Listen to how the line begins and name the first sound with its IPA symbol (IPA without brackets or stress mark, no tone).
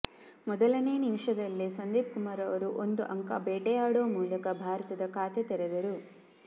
m